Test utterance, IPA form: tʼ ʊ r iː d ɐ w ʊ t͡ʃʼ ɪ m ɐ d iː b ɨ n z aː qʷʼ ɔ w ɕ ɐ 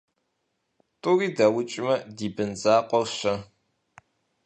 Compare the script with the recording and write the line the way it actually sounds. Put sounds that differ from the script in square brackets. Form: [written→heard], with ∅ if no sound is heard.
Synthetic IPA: tʼ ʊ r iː d ɐ w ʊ t͡ʃʼ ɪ m ɐ d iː b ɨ n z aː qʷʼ ɔ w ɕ ɐ

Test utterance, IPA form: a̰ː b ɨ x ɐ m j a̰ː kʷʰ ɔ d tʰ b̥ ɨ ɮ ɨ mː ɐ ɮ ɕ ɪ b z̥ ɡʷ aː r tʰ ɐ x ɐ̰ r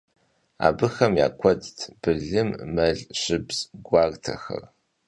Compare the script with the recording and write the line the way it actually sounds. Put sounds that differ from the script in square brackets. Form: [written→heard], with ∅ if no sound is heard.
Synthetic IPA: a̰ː b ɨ x ɐ m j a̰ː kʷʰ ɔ d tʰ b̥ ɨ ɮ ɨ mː ɐ ɮ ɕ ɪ b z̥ ɡʷ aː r tʰ ɐ x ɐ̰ r

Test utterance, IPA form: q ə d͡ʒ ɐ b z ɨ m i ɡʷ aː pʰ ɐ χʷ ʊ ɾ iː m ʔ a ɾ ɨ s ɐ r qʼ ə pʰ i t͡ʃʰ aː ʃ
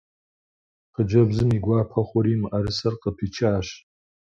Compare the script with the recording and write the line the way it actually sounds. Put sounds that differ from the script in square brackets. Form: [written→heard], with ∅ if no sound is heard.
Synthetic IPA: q ə d͡ʒ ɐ b z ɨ m i ɡʷ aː pʰ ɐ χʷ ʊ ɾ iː m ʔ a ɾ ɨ s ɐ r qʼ ə pʰ i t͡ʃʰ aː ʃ

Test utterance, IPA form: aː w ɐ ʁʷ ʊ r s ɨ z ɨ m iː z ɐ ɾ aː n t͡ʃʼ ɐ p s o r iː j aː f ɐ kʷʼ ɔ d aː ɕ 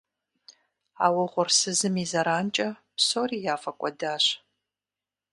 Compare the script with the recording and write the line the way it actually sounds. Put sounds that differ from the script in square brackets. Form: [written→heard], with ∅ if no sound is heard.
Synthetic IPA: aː w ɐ ʁʷ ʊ r s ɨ z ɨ m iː z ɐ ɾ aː n t͡ʃʼ ɐ p s o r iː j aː f ɐ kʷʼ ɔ d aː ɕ

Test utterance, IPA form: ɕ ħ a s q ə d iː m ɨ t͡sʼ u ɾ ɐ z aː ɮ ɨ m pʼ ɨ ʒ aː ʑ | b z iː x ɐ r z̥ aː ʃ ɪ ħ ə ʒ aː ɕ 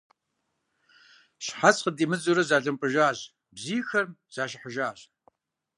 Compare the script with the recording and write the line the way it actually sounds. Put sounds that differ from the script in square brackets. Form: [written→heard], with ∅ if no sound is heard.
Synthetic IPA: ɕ ħ a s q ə d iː m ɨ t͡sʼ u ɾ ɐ z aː ɮ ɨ m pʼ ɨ ʒ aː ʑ | b z iː x ɐ r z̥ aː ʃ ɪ ħ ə ʒ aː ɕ

